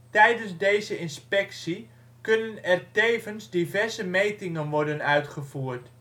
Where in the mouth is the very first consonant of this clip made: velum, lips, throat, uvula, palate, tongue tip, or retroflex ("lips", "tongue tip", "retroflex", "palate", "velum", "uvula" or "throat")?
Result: tongue tip